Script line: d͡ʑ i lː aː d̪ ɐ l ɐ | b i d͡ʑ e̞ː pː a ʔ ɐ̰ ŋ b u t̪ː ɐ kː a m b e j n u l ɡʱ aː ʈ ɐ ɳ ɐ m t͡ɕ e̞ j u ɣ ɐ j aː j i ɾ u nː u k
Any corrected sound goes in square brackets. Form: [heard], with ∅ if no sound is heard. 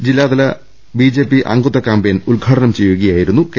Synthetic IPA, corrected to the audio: d͡ʑ i lː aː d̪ ɐ l ɐ | b i d͡ʑ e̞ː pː [i] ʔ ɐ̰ ŋ [ɡ] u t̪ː ɐ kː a m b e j n u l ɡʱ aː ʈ ɐ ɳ ɐ m t͡ɕ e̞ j u ɣ ɐ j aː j i ɾ u nː u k